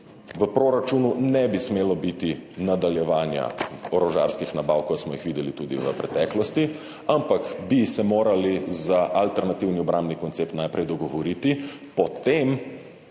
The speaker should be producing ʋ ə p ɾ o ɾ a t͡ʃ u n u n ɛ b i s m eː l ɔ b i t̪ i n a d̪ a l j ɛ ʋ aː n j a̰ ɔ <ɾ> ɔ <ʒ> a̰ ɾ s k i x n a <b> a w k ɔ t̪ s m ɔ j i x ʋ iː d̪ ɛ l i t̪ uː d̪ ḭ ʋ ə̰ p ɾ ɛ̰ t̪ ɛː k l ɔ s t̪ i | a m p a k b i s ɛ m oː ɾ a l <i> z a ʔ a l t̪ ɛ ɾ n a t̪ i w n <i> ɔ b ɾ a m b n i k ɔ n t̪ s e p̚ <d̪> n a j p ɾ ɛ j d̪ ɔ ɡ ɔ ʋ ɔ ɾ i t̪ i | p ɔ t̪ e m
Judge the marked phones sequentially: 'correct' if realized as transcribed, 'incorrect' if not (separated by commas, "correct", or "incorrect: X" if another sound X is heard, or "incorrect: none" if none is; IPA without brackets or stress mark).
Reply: correct, correct, correct, correct, correct, incorrect: t̪